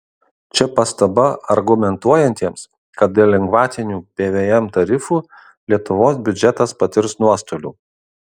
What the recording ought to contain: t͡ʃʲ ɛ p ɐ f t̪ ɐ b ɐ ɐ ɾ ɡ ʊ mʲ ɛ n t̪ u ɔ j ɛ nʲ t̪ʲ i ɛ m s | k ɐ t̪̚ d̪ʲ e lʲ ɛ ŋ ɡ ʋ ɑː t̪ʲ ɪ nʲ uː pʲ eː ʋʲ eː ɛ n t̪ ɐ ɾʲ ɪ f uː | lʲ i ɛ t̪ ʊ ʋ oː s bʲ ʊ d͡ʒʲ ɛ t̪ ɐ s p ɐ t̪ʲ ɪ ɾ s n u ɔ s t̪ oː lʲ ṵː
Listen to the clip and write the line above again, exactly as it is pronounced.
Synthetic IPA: t͡ʃʲ ɛ p ɐ s t̪ ɐ b ɐ ɐ ɾ ɡ ʊ mʲ ɛ n t̪ u ɔ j ɛ nʲ t̪ʲ i ɛ m s | k ɐ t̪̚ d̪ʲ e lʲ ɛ ŋ ɡ ʋ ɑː t̪ʲ ɪ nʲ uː pʲ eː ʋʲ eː ɛ m t̪ ɐ ɾʲ ɪ f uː | lʲ i ɛ t̪ ʊ ʋ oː s bʲ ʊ d͡ʒʲ ɛ t̪ ɐ s p ɐ t̪ʲ ɪ ɾ s n u ɔ s t̪ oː lʲ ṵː